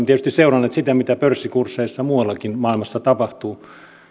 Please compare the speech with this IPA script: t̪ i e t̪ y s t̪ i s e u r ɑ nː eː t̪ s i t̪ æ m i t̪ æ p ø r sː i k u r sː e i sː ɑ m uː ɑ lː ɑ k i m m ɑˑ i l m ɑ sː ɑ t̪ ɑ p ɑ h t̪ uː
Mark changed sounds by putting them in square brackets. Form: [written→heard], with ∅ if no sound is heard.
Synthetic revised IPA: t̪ i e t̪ y s t̪ i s e u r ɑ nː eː t̪ s i t̪ æ m i t̪ æ p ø r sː i k u r sː e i sː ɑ m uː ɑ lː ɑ k i [m→n] m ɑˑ i l m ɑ sː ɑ t̪ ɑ p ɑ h t̪ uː